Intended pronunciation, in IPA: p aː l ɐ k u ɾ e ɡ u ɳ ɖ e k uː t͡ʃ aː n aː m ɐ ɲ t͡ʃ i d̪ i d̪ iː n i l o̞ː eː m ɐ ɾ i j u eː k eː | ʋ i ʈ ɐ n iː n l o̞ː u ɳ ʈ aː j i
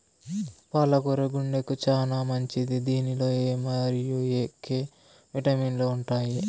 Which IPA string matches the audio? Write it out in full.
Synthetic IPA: p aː l ɐ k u ɾ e ɡ u ɳ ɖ e k u t͡ʃ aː n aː m ɐ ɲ t͡ʃ i d̪ i d̪ iː n i l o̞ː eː m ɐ ɾ i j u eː k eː | ʋ i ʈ ɐ m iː n l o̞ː u ɳ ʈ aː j i